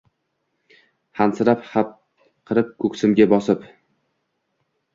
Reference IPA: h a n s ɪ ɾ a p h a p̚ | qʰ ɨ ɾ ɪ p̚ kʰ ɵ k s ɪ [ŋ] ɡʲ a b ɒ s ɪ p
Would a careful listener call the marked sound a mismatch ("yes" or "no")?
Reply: yes